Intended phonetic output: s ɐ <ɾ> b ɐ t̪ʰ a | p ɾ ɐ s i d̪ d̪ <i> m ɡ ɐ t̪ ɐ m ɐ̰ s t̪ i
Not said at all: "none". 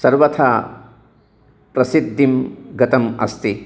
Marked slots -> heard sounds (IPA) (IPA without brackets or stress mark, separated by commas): ɾ, i